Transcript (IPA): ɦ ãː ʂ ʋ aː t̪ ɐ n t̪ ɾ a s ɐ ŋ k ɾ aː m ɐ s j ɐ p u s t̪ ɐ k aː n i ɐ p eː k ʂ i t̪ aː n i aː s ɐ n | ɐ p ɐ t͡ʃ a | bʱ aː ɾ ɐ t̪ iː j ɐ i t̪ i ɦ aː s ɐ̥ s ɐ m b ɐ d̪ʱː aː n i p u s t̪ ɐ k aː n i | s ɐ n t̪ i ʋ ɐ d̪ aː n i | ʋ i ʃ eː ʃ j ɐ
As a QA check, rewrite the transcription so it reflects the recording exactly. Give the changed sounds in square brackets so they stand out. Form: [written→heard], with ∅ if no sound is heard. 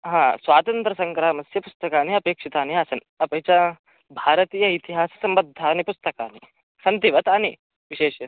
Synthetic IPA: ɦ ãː [ʂ→s] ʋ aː t̪ ɐ n t̪ ɾ [a→ɐ] s ɐ ŋ k ɾ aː m ɐ s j ɐ p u s t̪ ɐ k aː n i ɐ p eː k ʂ i t̪ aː n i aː s ɐ n | ɐ p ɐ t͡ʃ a | bʱ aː ɾ ɐ t̪ iː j ɐ i t̪ i ɦ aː s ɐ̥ s ɐ m b ɐ d̪ʱː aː n i p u s t̪ ɐ k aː n i | s ɐ n t̪ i ʋ ɐ [d̪→t̪] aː n i | ʋ i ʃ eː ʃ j ɐ